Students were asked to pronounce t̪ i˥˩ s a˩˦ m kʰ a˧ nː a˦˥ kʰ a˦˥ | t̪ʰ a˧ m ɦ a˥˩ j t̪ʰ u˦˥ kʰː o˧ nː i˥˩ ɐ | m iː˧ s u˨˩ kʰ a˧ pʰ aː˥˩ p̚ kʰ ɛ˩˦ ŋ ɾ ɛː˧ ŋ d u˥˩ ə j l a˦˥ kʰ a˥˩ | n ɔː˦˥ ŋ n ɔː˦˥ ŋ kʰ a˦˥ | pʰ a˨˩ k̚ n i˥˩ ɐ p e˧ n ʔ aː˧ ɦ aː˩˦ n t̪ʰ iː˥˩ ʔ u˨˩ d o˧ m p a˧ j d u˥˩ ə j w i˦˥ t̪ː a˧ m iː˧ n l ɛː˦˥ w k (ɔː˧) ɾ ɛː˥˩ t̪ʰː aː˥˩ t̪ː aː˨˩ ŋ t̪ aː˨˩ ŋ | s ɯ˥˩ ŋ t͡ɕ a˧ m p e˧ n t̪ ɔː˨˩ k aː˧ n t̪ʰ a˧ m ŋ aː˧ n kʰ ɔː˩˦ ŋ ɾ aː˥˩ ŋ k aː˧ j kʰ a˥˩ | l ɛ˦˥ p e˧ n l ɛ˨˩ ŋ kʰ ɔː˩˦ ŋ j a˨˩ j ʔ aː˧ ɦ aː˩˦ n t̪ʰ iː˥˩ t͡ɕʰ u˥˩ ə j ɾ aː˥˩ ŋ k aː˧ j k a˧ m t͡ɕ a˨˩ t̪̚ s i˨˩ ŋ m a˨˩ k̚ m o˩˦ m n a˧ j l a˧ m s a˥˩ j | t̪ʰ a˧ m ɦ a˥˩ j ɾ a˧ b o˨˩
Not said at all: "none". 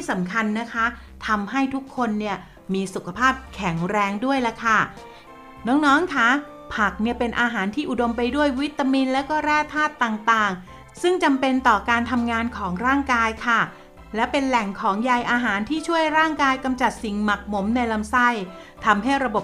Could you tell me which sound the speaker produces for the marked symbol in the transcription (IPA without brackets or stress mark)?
ɔː˥˩